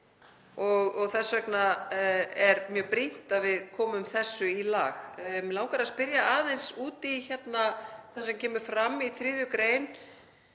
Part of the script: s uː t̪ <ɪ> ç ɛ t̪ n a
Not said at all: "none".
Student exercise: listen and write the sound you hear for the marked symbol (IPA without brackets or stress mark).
i